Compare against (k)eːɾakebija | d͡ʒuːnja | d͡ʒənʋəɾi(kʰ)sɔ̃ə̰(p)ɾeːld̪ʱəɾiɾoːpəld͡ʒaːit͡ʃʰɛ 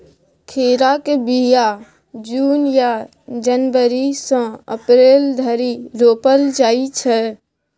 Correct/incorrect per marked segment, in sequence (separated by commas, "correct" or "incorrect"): incorrect, incorrect, correct